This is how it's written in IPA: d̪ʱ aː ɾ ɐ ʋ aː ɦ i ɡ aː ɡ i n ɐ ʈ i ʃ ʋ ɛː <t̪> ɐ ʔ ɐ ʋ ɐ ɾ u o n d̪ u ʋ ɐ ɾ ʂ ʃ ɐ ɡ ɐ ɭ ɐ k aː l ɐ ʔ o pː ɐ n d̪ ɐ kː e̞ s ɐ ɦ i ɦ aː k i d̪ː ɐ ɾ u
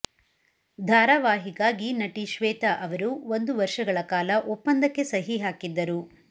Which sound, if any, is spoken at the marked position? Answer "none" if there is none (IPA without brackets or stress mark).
t̪